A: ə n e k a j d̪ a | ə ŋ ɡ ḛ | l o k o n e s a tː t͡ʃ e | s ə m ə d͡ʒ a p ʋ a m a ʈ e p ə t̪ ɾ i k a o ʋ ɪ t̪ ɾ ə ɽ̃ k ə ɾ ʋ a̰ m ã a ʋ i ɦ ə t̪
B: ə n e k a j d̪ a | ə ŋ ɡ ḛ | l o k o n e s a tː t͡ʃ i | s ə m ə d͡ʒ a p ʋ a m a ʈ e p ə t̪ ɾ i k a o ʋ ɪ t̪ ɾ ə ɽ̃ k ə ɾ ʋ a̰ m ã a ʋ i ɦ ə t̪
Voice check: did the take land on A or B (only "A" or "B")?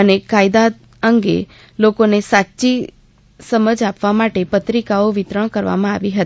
B